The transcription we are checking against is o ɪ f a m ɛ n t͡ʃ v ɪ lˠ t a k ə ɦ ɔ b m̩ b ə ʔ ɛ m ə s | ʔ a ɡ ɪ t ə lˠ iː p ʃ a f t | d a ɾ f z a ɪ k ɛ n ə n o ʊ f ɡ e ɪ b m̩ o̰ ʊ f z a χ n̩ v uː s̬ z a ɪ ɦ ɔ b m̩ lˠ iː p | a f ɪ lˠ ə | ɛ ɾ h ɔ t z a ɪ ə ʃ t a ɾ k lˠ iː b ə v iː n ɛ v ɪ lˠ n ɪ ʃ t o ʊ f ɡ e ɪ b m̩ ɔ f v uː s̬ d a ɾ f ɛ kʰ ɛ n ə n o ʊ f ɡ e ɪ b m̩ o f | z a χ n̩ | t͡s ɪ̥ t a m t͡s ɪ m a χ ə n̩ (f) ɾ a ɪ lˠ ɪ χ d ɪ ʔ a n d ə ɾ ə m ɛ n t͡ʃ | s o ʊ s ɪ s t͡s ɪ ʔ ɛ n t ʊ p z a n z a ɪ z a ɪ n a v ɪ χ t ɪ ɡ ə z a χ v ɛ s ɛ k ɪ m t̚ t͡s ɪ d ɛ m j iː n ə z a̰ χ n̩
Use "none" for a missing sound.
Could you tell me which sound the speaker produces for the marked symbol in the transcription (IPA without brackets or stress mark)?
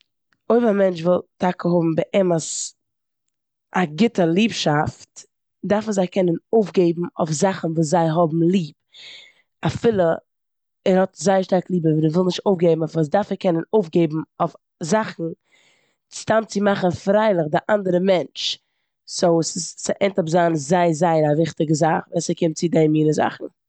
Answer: f